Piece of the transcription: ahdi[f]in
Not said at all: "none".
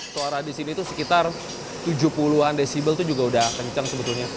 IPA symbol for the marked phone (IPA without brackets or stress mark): s